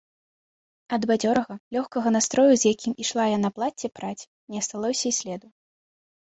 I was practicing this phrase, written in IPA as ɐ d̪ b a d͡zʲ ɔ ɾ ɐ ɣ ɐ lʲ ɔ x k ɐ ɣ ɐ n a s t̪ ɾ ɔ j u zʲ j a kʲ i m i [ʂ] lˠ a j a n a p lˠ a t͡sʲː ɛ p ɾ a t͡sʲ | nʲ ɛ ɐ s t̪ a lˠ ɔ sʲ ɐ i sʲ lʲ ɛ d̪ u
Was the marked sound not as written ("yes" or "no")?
no